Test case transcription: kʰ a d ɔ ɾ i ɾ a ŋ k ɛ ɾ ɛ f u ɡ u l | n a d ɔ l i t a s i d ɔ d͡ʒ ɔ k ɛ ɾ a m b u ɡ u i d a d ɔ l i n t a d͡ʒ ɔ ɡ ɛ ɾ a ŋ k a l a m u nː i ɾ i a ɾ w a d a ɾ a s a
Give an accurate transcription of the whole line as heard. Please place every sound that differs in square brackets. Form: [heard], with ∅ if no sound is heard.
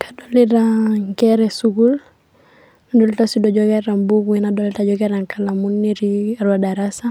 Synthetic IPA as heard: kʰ a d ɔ [l] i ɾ a ŋ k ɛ ɾ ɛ [s] u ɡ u l | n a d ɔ l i t a s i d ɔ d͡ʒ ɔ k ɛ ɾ a m b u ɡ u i [n] a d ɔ l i [∅] t a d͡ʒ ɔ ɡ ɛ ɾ a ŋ k a l a m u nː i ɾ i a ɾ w a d a ɾ a s a

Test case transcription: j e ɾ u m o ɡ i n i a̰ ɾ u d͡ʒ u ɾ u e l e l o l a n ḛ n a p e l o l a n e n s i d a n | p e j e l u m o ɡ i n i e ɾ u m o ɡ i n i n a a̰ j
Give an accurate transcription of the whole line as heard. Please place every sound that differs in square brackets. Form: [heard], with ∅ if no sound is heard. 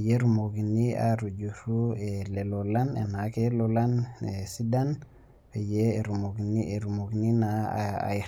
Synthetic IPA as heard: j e ɾ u m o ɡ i n i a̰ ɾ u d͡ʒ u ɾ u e l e l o l a n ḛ n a [k] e l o l a n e [∅] s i d a n | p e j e [ɾ] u m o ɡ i n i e ɾ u m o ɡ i n i n a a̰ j

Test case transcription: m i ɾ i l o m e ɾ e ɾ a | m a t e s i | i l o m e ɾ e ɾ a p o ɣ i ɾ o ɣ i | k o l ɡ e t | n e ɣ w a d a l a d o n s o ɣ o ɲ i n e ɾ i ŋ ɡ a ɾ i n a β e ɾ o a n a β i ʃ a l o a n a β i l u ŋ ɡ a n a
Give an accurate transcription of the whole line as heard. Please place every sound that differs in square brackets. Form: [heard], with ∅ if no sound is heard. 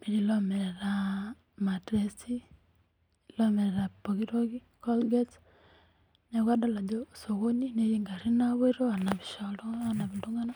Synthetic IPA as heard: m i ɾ i l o m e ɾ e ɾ a | m a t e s i | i l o m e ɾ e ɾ a p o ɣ i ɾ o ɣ i | k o l ɡ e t | n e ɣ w a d a l a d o [∅] s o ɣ o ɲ i n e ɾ i ŋ ɡ a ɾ i n a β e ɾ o a n a β i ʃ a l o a n a β i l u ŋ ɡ a n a

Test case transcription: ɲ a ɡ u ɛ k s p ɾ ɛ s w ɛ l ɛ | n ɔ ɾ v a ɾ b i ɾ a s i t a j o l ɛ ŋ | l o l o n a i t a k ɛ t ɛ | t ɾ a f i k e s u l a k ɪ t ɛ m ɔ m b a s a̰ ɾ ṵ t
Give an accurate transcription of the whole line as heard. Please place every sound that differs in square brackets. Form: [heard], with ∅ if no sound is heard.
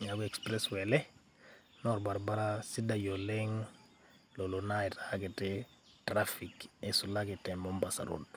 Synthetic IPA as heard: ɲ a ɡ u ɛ k s p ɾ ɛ s w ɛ l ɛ | n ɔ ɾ [b] a ɾ b [a] ɾ a s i [d] a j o l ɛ ŋ | l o l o n a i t a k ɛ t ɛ | t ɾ a f i k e s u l a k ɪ t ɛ m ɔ m b a s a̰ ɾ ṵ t

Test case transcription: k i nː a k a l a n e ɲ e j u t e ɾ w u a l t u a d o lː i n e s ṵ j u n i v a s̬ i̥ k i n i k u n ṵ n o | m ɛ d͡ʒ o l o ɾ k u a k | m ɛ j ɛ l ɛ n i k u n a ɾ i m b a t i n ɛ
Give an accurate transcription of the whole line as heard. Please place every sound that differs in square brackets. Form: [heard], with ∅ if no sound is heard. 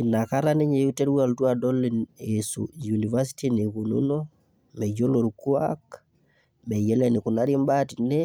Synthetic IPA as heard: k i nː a k a [ɾ] a n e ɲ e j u t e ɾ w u a l t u a d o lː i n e s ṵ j u n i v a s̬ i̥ [t] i n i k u n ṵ n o | m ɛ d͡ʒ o l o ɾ k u a k | m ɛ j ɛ l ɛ n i k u n a ɾ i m b a t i n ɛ

